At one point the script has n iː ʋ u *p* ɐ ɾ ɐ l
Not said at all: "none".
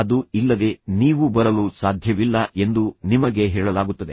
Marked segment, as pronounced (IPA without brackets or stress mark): b